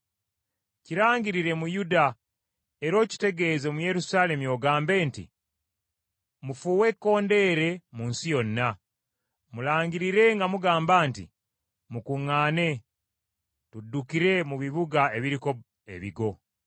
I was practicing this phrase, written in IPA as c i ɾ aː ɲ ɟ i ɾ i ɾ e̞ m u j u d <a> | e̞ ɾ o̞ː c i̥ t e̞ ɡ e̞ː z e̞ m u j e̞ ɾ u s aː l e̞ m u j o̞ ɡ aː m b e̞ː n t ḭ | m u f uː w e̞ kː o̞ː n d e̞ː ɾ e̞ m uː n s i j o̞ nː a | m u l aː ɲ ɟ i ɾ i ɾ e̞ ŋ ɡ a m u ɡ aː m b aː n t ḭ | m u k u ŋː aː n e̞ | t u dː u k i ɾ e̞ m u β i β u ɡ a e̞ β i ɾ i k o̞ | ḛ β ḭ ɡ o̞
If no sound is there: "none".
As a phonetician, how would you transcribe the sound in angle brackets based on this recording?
a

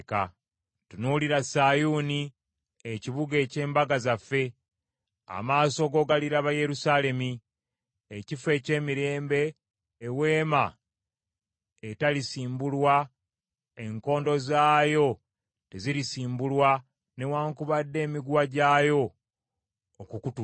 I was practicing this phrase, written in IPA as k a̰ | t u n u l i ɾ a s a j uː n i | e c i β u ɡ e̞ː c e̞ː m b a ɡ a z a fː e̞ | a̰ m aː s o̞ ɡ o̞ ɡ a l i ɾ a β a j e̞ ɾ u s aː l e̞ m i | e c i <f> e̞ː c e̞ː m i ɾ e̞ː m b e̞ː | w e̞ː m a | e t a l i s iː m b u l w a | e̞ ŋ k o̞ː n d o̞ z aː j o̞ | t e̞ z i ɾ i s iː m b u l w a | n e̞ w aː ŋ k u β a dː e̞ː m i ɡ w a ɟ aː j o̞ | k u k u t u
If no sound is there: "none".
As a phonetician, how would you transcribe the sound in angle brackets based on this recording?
f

